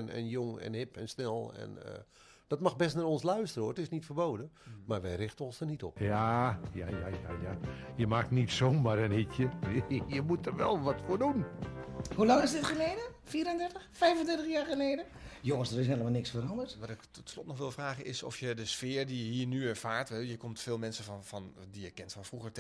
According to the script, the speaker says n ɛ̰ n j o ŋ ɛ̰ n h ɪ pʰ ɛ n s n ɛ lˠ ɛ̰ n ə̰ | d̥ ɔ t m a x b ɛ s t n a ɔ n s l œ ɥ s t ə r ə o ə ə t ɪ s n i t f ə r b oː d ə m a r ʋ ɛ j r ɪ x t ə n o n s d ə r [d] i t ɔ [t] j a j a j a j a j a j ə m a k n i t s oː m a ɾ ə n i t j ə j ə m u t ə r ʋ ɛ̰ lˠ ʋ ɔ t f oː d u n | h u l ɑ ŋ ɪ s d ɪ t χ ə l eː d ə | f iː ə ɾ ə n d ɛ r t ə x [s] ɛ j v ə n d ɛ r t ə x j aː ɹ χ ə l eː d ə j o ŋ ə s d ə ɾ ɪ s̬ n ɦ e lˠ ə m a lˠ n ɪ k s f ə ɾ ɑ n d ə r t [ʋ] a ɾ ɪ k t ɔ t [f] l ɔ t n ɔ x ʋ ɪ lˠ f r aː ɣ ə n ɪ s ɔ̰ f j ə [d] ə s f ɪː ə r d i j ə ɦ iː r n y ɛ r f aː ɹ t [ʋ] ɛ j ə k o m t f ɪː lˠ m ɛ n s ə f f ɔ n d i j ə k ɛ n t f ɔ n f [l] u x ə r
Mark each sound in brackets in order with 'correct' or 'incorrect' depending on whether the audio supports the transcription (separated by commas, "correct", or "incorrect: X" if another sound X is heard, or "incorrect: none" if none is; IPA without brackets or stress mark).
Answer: incorrect: n, incorrect: p, incorrect: f, correct, incorrect: s, correct, correct, incorrect: r